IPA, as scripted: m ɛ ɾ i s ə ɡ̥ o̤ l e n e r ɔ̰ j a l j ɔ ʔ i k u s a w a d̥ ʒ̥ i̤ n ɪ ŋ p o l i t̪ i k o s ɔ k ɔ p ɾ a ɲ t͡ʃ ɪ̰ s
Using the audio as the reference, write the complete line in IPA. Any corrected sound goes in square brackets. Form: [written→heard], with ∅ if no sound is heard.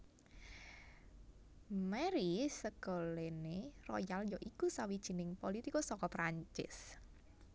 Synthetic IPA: m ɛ ɾ i s ə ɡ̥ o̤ l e n e r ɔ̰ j a l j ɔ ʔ i k u s a w [a→i] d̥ ʒ̥ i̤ n ɪ ŋ p o l i t̪ i k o s ɔ k ɔ p ɾ a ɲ t͡ʃ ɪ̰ s